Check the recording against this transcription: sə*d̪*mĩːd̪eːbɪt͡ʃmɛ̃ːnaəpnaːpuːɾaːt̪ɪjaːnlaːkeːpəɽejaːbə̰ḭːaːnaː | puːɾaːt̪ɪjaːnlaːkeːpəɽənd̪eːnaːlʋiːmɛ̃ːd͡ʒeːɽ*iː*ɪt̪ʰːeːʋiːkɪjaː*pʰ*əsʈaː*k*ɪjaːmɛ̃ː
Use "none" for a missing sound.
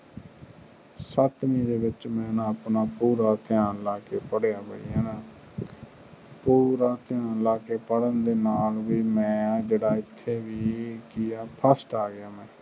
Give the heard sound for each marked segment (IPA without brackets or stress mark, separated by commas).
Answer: t̪, aː, pʰ, ɡ